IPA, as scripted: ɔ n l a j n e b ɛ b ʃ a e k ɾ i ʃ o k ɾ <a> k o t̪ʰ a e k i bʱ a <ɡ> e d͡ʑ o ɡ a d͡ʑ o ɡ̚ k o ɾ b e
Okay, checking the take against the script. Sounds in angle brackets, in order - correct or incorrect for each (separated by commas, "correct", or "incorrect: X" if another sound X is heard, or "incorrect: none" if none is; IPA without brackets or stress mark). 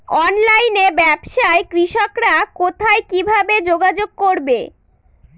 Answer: correct, incorrect: b